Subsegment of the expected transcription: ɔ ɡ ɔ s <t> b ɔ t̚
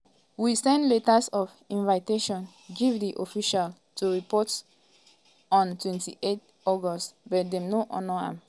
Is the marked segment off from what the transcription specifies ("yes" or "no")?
no